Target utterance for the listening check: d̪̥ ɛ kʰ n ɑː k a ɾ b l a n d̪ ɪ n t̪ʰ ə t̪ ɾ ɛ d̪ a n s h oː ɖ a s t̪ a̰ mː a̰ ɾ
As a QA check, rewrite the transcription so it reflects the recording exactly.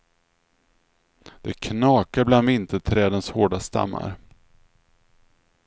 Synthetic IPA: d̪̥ ɛ kʰ n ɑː k a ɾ b l a n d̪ ɪ n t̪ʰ ə t̪ʰ ɾ ɛː d̪ ə n s h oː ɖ a s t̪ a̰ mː a̰ ɾ